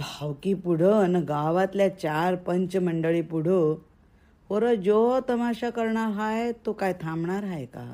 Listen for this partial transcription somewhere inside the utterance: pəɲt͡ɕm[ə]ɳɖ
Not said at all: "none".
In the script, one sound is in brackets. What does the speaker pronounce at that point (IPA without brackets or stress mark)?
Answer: ə